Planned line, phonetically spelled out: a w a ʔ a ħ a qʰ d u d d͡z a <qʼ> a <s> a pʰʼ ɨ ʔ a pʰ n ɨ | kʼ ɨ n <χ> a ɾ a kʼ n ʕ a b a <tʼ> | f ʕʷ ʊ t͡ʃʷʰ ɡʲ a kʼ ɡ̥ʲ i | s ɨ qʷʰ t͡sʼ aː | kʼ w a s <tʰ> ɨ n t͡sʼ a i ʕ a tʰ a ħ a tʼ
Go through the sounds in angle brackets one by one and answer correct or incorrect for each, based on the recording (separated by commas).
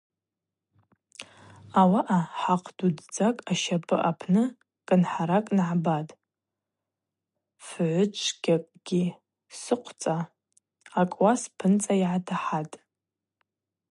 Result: incorrect, incorrect, incorrect, correct, incorrect